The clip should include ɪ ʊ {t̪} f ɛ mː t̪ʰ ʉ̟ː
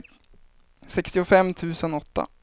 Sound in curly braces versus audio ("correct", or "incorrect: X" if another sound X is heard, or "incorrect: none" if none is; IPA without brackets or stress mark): incorrect: none